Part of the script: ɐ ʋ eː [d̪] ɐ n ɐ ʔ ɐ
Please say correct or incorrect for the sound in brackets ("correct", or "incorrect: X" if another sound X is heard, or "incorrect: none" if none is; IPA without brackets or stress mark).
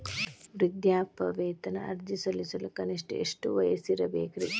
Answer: incorrect: t̪